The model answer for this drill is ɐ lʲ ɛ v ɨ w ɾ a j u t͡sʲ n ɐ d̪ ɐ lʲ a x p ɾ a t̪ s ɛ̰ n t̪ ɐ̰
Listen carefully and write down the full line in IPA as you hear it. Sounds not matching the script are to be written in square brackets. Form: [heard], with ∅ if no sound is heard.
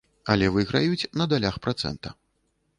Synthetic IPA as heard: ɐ lʲ ɛ v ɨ [ɣ] ɾ a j u t͡sʲ n ɐ d̪ [a] lʲ a x p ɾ a t̪ s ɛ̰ n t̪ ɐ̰